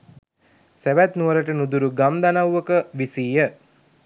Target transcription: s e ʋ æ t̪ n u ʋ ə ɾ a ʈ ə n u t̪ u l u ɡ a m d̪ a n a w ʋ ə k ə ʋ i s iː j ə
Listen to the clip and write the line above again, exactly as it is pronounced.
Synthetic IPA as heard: s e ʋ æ t̪ n u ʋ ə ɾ ə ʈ ə n u d̪ u ɾ u ɡ a m d̪ a n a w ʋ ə k ə ʋ i s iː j ə